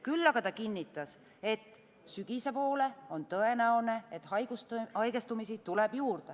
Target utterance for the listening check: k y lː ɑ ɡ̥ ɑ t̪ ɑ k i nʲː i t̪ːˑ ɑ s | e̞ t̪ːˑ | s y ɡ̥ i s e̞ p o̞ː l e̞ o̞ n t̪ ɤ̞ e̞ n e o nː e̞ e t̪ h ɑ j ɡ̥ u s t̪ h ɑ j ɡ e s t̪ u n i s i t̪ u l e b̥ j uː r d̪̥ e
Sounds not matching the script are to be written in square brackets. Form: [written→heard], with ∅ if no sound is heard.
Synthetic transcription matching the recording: k y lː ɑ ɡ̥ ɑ t̪ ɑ k i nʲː i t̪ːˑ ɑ s | e̞ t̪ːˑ | s y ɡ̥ i s e̞ p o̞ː l e̞ o̞ n t̪ ɤ̞ e̞ n [e→æ] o [nː→n] e̞ e t̪ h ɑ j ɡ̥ u s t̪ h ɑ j ɡ e s t̪ u [n→m] i s i t̪ u l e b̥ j uː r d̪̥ e

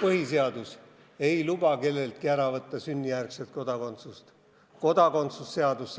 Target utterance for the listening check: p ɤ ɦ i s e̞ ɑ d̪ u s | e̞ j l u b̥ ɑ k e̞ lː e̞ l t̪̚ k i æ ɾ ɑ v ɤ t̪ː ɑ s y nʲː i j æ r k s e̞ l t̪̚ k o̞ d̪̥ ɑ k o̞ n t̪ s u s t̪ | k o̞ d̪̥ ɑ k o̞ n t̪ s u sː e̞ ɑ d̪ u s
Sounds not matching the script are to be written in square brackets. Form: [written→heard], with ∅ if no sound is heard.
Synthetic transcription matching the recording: p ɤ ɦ i s e̞ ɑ d̪ u s | e̞ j l u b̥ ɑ k e̞ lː e̞ l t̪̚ k i æ ɾ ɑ v ɤ t̪ː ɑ s y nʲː i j æ r k s e̞ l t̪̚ k o̞ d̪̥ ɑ k o̞ n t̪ s u s t̪ | k o̞ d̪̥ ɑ k o̞ n t̪ s u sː e̞ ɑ d̪ u s

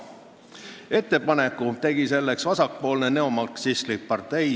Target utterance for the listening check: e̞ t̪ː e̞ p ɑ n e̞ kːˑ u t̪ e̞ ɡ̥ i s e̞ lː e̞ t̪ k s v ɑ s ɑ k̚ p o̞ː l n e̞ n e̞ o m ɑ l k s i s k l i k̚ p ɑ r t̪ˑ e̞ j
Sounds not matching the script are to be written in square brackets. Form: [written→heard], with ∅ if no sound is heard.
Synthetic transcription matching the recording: e̞ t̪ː e̞ p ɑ n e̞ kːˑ u t̪ e̞ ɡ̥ i s e̞ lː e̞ [t̪→∅] k s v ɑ s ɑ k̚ p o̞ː l n e̞ n e̞ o m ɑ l k s i s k l i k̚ p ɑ r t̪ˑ e̞ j

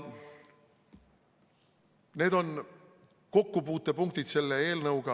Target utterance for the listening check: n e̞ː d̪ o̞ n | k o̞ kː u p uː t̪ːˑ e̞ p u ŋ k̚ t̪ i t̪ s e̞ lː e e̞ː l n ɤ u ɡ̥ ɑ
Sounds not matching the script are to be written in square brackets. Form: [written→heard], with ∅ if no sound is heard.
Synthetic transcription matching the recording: n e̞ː d̪ o̞ n | k o̞ kː u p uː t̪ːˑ e̞ p u ŋ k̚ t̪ i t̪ s e̞ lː e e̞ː l n ɤ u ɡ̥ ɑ

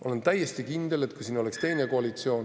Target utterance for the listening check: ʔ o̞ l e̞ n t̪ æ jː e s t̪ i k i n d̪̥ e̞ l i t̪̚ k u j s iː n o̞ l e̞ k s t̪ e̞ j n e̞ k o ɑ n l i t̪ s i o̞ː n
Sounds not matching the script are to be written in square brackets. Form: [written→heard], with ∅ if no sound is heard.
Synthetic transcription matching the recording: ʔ o̞ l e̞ n t̪ æ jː e s t̪ i k i n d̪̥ e̞ l [i→e] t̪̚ k u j s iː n o̞ l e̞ k s t̪ e̞ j n e̞ k o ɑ [n→∅] l i t̪ s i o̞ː n

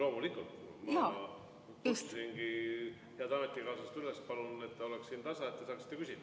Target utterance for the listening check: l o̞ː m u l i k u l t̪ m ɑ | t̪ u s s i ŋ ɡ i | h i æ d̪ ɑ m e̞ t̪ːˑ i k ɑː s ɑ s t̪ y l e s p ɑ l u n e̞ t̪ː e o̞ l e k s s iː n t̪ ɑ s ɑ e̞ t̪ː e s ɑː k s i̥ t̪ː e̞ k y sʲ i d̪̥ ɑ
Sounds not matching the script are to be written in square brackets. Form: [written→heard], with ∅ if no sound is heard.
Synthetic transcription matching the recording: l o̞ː m u l i k u l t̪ m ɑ | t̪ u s s i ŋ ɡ i | h [i→e] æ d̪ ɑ m e̞ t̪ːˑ i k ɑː s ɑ s t̪ y l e s p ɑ l u n e̞ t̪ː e o̞ l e k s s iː n t̪ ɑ s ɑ e̞ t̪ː e s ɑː k s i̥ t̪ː e̞ k y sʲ i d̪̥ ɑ

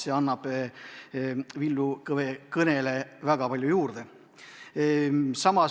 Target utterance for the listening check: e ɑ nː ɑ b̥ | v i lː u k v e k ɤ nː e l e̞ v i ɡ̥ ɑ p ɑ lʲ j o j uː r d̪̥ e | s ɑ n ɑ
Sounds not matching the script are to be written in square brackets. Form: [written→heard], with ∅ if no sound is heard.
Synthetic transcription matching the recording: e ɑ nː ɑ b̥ | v i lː u k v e k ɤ [nː→n] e l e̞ v [i→æ] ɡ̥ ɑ p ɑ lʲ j [o→u] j uː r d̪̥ e | s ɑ [n→m] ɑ

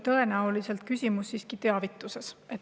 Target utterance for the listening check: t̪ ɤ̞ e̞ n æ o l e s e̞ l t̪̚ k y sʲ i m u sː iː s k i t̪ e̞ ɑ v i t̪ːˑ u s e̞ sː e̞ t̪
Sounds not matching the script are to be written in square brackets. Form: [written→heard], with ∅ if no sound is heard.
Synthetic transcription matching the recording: t̪ ɤ̞ e̞ n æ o l [e→i] s e̞ l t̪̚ k y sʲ i m u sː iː s k i t̪ e̞ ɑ v i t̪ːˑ u s e̞ [sː→s] e̞ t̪

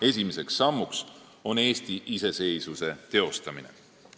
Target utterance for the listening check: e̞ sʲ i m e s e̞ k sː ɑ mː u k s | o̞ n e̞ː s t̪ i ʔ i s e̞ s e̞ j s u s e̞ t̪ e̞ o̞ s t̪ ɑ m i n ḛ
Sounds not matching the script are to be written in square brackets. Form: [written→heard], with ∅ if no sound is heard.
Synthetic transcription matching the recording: e̞ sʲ i m e s e̞ k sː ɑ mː u k s | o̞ n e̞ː s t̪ i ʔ i s e̞ s e̞ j s u s e̞ t̪ e̞ o̞ s t̪ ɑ m i n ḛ

